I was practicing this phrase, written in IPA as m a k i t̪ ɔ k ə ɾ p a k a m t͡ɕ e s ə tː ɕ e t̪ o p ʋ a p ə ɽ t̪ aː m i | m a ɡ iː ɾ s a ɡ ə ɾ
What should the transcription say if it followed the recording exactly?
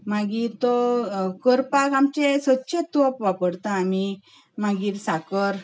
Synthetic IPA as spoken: m a ɡ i t̪ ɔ k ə ɾ p a k a m t͡ɕ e s ə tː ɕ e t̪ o p ʋ a p ə ɽ t̪ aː m i | m a ɡ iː ɾ s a k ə ɾ